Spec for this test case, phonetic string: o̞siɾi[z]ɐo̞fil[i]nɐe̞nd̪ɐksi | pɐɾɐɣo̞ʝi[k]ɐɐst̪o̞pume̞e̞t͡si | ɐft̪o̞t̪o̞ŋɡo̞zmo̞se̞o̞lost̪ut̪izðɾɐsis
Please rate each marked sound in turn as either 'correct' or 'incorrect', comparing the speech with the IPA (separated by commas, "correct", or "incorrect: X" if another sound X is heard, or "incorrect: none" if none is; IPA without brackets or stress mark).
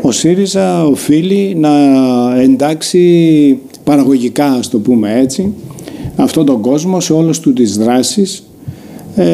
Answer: correct, correct, correct